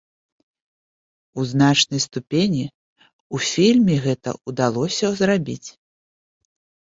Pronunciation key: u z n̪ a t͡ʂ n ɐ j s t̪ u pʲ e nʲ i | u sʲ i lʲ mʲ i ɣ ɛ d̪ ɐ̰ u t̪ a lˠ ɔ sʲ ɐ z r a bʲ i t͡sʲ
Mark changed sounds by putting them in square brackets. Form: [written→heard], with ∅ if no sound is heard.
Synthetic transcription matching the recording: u z n̪ a t͡ʂ n ɐ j s t̪ u pʲ e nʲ i | u [sʲ→fʲ] i lʲ mʲ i ɣ ɛ [d̪→t̪] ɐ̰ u [t̪→d̪] a lˠ ɔ sʲ ɐ z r a bʲ i t͡sʲ

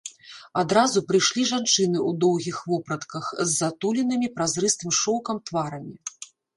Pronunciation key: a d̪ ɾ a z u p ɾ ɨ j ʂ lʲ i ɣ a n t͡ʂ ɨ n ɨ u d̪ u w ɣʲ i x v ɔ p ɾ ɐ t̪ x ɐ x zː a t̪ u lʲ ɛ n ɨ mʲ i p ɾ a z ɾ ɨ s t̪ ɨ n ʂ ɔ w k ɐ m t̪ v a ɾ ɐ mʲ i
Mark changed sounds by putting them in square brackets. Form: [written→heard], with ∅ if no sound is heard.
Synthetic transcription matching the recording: a d̪ ɾ a z u p ɾ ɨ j ʂ lʲ i [ɣ→ʐ] a n t͡ʂ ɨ n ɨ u d̪ [u→ɔ] w ɣʲ i x v ɔ p ɾ ɐ t̪ [x→k] ɐ x zː a t̪ u lʲ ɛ n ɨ mʲ i p ɾ a z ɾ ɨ s t̪ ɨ [n→m] ʂ ɔ w k ɐ m t̪ v a ɾ ɐ mʲ i

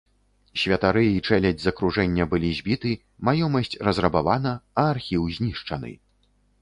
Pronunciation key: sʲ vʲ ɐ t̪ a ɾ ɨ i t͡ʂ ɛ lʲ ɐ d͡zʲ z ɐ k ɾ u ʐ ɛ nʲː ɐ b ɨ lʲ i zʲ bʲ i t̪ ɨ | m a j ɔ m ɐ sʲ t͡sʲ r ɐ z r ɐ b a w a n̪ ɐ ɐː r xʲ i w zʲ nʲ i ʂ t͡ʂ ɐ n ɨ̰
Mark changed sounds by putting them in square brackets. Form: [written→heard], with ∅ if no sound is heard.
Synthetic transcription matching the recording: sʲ vʲ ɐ t̪ a ɾ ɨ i t͡ʂ ɛ lʲ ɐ d͡zʲ z ɐ k ɾ u ʐ ɛ nʲː ɐ b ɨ lʲ i zʲ bʲ i t̪ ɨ | m a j ɔ m ɐ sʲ t͡sʲ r ɐ z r ɐ b a [w→v] a n̪ ɐ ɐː r xʲ i w zʲ nʲ i ʂ t͡ʂ ɐ n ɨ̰

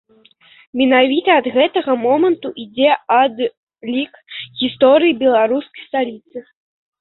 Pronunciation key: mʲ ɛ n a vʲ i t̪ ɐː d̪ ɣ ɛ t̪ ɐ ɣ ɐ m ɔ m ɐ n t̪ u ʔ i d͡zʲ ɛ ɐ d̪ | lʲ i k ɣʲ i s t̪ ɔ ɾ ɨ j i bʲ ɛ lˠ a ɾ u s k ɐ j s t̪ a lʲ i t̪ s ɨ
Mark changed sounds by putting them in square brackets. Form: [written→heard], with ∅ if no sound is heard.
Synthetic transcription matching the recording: mʲ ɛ n a vʲ i t̪ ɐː d̪ ɣ ɛ t̪ ɐ ɣ ɐ m ɔ m ɐ n t̪ u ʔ i d͡zʲ ɛ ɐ d̪ | lʲ i k ɣʲ i s t̪ ɔ ɾ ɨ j i bʲ ɛ lˠ a ɾ u s k ɐ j s t̪ a lʲ i t̪ s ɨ

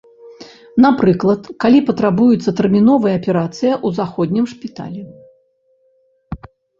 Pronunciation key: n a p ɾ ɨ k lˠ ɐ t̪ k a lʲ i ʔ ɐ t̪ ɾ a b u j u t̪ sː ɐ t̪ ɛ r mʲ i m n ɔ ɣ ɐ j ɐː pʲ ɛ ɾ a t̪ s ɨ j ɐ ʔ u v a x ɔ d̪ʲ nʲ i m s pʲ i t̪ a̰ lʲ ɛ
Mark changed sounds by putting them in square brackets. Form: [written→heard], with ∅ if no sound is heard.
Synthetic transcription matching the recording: n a p ɾ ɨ k lˠ ɐ t̪ k a lʲ i [ʔ→p] ɐ t̪ ɾ a b u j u t̪ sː ɐ t̪ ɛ r mʲ i [m→∅] n ɔ [ɣ→v] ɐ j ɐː pʲ ɛ ɾ a t̪ s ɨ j ɐ ʔ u [v→z] a x ɔ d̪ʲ nʲ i m [s→ʂ] pʲ i t̪ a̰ lʲ ɛ

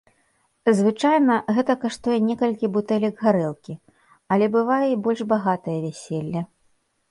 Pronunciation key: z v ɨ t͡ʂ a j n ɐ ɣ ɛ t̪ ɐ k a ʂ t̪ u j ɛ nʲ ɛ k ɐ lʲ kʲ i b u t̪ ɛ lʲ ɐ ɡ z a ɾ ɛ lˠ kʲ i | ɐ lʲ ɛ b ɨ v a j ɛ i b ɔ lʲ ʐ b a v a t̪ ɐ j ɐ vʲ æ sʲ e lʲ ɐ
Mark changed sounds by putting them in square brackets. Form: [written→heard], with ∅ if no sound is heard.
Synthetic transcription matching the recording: z v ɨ t͡ʂ a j n ɐ ɣ ɛ t̪ ɐ k a ʂ t̪ u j ɛ nʲ ɛ k ɐ lʲ kʲ i b u t̪ ɛ lʲ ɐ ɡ [z→ɣ] a ɾ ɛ lˠ kʲ i | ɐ lʲ ɛ b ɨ v a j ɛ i b ɔ lʲ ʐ b a [v→ɣ] a t̪ ɐ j ɐ vʲ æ sʲ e [lʲ→lʲː] ɐ

